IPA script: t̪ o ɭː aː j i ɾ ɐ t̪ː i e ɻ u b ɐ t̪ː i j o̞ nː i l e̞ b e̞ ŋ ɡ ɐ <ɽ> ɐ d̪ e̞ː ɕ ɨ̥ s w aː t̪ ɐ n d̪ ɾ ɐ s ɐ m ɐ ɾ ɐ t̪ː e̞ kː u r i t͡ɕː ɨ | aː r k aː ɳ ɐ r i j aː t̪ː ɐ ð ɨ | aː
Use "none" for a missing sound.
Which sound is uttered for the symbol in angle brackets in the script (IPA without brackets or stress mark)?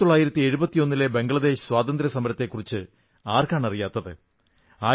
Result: ɭ